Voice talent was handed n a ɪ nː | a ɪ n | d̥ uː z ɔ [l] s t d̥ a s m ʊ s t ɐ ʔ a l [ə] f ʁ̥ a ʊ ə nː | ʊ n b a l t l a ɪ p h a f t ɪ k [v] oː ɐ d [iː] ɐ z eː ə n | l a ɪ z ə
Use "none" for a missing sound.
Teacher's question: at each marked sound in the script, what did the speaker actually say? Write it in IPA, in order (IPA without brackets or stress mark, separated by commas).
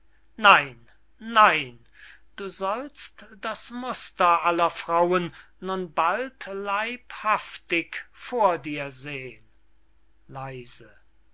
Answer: l, ɐ, f, iː